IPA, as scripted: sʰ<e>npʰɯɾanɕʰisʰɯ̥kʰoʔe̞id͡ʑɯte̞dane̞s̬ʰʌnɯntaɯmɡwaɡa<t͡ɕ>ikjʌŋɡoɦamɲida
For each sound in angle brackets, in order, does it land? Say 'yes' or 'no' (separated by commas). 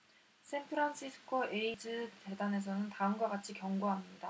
yes, no